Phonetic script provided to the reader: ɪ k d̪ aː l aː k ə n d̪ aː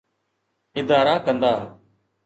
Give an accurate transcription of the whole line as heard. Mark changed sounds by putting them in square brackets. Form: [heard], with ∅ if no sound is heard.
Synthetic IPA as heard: ɪ [∅] d̪ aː [ɾ] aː k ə n d̪ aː